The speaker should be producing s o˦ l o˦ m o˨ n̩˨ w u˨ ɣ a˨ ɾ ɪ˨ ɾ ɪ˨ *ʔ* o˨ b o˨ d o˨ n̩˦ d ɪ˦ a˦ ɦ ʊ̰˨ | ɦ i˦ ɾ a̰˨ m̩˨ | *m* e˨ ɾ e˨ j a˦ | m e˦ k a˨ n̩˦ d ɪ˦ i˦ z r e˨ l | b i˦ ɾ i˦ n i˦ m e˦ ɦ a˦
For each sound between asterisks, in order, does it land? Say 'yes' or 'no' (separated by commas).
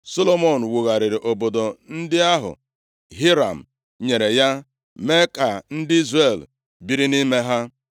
yes, no